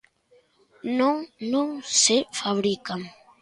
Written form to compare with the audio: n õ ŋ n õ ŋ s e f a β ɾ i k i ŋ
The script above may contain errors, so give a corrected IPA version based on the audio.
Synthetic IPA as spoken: n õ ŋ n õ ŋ s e f a β ɾ i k a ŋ